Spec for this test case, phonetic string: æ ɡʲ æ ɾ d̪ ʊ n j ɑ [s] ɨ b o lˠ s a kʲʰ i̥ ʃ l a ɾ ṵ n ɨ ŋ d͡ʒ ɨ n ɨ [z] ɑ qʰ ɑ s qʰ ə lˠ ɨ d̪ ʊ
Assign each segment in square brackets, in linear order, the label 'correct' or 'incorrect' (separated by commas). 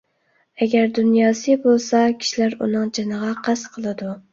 correct, incorrect